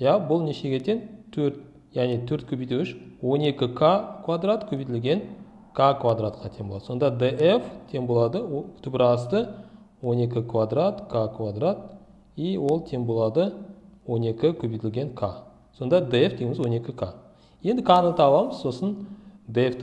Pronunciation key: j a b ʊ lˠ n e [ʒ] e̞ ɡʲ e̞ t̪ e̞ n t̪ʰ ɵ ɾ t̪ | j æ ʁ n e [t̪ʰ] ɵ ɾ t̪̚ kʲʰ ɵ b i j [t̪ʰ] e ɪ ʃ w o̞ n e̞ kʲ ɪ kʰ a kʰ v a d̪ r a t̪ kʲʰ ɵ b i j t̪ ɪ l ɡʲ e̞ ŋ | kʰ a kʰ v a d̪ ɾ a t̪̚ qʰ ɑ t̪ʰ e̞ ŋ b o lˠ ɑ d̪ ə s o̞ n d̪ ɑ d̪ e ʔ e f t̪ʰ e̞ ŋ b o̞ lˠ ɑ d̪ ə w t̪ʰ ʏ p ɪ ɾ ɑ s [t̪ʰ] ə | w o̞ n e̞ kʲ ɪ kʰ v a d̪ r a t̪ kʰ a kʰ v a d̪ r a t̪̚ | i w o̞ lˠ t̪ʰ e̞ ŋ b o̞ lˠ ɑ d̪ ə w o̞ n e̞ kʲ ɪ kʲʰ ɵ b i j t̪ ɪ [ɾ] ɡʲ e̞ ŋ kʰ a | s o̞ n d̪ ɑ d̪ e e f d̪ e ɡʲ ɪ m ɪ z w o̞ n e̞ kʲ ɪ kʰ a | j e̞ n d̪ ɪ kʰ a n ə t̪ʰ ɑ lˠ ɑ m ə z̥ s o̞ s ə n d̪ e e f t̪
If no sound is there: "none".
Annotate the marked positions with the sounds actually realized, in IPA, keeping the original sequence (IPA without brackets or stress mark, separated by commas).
ʃ, t̪ʰ, t̪, t̪, l